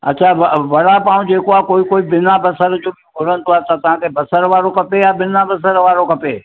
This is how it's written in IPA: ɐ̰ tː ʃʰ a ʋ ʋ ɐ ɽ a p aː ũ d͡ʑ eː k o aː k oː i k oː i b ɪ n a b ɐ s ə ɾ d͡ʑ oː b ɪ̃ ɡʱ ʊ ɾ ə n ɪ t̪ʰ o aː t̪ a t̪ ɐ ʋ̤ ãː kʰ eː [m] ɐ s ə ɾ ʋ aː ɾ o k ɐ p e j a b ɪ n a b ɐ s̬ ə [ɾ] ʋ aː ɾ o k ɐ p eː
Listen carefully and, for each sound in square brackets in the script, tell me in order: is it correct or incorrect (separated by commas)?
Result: incorrect, correct